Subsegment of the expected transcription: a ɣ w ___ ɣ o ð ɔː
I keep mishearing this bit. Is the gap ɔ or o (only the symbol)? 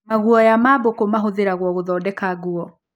ɔ